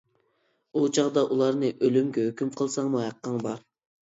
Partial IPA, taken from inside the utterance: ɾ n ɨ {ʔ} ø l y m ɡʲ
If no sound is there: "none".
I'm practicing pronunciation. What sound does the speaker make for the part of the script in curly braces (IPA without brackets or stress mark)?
ʔ